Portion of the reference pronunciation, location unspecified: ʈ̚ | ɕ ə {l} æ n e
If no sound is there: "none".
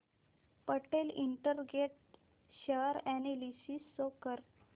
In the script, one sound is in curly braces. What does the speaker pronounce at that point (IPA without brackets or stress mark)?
ɾ